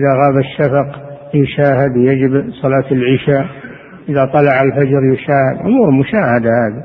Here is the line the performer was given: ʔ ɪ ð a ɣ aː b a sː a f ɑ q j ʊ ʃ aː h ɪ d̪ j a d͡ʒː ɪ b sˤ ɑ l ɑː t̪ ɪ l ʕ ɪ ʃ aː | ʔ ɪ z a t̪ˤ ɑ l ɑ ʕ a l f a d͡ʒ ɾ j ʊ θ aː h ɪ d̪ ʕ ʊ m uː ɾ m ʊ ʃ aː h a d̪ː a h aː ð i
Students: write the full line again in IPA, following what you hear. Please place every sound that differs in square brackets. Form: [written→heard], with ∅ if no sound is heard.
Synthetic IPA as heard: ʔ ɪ ð a ɣ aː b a [sː→ʃː] a f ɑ q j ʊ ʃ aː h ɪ d̪ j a [d͡ʒː→d͡ʒ] ɪ b sˤ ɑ l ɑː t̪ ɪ l ʕ ɪ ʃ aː | ʔ ɪ [z→ð] a t̪ˤ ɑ l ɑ ʕ a l f a d͡ʒ ɾ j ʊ [θ→ʃ] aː h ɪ d̪ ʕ ʊ m uː ɾ m ʊ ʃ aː h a [d̪ː→d̪] a h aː ð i